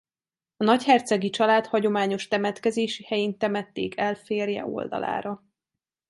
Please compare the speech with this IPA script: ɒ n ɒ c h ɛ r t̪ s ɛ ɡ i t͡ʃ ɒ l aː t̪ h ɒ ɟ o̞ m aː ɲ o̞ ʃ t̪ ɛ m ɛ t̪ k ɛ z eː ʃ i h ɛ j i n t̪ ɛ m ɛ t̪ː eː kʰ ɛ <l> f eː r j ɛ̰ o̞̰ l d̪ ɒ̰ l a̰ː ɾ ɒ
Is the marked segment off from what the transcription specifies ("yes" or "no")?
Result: no